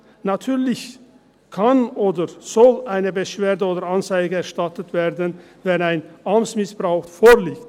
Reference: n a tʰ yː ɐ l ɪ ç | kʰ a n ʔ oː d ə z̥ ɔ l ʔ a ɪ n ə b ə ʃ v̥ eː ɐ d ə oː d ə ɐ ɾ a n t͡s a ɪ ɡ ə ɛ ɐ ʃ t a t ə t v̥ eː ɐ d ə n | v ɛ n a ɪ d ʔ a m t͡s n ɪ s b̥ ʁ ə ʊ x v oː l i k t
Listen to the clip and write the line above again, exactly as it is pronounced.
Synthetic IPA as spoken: n a tʰ yː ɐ l ɪ ç | kʰ a n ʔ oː d ə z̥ ɔ l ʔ a ɪ n ə b ə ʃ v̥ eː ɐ d ə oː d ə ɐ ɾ a n t͡s a ɪ ɡ ə ɛ ɐ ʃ t a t ə t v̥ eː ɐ d ə n | v ɛ n a ɪ n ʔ a m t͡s m ɪ s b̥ ʁ a ʊ x f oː l iː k t